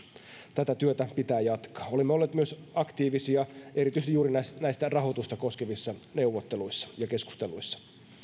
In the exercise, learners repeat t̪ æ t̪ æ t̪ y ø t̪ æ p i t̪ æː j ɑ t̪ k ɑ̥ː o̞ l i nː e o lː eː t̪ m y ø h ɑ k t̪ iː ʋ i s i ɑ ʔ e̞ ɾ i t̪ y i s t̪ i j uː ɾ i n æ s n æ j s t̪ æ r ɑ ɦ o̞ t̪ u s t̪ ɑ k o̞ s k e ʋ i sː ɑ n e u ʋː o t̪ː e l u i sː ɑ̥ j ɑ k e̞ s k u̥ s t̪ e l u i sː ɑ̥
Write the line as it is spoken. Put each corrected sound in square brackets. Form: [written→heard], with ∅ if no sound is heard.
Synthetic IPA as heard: t̪ æ t̪ æ t̪ y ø t̪ æ p i t̪ æː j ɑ t̪ k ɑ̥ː o̞ l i [nː→mː] e o lː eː t̪ m y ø [h→s] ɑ k t̪ iː ʋ i s i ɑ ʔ e̞ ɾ i t̪ y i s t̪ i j uː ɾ i n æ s n æ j s t̪ æ r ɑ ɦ o̞ t̪ u s t̪ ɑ k o̞ s k e ʋ i sː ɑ n e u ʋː o t̪ː e l u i sː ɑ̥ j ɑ k e̞ s k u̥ s t̪ e l u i sː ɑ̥

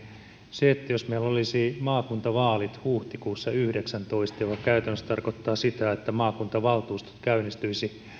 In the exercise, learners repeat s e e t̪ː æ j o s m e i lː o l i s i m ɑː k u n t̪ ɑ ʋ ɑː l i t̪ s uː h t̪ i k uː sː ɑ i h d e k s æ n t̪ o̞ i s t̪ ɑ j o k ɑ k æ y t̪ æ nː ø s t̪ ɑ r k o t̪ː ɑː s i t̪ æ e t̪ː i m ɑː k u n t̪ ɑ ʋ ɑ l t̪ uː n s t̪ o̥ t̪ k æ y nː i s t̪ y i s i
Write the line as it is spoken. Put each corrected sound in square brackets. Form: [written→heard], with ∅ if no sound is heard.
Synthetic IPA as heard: s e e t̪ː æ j o s m e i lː o l i s i m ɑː k u n t̪ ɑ ʋ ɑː l i t̪ [s→h] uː h t̪ i k uː sː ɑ [i→y] h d e k s æ n t̪ o̞ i s t̪ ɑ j o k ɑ k æ y t̪ æ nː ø s t̪ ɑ r k o t̪ː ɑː s i t̪ æ e t̪ː [i→æ] m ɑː k u n t̪ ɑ ʋ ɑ l t̪ uː [n→∅] s t̪ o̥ t̪ k æ y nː i s t̪ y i s i

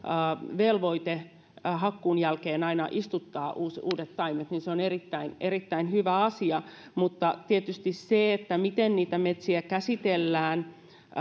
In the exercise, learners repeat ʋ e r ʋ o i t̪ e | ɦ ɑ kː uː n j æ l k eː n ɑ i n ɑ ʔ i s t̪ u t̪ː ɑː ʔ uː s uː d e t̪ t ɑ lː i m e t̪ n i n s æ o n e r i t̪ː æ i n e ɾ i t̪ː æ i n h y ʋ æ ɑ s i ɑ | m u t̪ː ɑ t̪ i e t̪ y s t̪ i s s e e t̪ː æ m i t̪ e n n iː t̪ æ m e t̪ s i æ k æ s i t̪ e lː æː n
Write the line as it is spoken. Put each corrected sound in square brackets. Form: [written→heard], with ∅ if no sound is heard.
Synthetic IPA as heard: ʋ e [r→l] ʋ o i t̪ e | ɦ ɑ kː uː n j æ l k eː n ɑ i n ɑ ʔ i s t̪ u t̪ː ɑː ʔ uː s uː d e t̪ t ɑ [lː→∅] i m e t̪ n i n s [æ→e] o n e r i t̪ː æ i n e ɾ i t̪ː æ i n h y ʋ æ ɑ s i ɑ | m u t̪ː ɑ t̪ i e t̪ y s t̪ i s s e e t̪ː æ m i t̪ e n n iː t̪ æ m e t̪ s i æ k æ s i t̪ e lː æː n

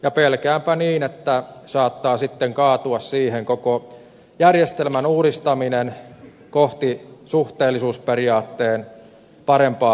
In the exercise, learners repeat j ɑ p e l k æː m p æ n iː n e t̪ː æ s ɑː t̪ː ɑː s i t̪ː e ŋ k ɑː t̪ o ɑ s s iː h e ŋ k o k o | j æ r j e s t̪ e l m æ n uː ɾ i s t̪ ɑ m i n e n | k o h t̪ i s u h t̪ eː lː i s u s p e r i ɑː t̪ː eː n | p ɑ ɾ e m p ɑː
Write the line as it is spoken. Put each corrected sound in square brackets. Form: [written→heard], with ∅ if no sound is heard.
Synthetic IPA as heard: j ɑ p e l k æː m p æ n iː n e t̪ː æ s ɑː t̪ː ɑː s i t̪ː e ŋ k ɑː t̪ [o→u] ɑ s s iː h e ŋ k o k o | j æ r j e s t̪ e l m æ n uː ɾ i s t̪ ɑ m i n e n | k o h t̪ i s u h t̪ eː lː i s [u→uː] s p e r i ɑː t̪ː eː n | p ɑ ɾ e m p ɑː

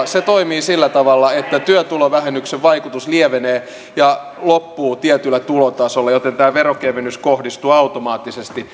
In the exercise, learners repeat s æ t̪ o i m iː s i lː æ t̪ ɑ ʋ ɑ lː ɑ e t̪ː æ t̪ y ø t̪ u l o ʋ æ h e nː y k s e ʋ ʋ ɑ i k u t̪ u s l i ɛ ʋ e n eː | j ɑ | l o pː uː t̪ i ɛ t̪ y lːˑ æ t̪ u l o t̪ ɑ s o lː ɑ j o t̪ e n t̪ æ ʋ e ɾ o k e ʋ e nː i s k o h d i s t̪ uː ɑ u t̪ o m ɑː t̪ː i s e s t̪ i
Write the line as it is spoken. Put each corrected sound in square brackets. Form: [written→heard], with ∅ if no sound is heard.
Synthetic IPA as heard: s [æ→e] t̪ o i m iː s i lː æ t̪ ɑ ʋ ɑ lː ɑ e t̪ː æ t̪ y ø t̪ u l o ʋ æ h e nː y k s e ʋ ʋ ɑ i k u t̪ u s l i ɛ ʋ e n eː | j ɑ | l o pː uː t̪ i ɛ t̪ y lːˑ æ t̪ u l o t̪ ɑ s o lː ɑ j o t̪ e n t̪ [æ→æː] ʋ e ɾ o k e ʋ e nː [i→y] s k o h d i s t̪ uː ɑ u t̪ o m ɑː t̪ː i s e s t̪ i

